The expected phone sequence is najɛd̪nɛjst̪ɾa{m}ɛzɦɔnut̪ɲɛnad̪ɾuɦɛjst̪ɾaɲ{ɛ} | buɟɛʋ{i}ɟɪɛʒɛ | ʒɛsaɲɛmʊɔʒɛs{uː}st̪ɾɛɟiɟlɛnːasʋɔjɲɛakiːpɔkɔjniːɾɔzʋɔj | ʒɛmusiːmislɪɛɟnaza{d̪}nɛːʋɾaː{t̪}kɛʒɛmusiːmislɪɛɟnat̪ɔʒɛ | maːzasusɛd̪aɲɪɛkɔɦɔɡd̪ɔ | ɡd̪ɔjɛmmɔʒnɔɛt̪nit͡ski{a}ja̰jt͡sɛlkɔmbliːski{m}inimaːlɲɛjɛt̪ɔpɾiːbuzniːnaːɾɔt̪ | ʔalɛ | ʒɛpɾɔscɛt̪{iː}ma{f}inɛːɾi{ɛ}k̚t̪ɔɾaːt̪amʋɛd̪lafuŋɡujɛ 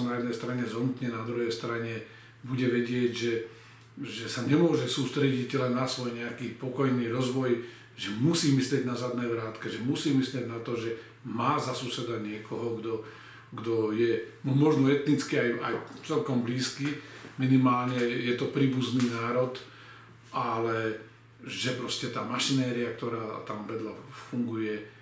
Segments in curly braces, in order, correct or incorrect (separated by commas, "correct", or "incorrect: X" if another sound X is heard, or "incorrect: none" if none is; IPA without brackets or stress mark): incorrect: ɲ, correct, incorrect: ɛ, correct, correct, correct, correct, correct, incorrect: aː, incorrect: ʃ, incorrect: a